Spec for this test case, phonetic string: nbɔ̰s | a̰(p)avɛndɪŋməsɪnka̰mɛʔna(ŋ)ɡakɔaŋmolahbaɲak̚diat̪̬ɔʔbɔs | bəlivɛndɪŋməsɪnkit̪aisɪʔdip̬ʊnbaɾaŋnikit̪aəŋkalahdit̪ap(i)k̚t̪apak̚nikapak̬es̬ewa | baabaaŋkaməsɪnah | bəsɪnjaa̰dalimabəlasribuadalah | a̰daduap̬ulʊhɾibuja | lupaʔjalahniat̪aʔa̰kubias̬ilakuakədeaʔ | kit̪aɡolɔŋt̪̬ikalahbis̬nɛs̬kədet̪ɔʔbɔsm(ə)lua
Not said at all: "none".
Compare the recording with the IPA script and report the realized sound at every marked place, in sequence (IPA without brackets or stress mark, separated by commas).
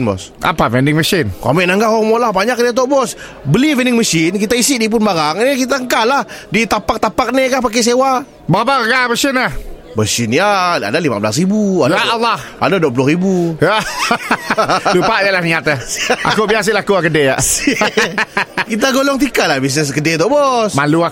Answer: p, ŋ, a, a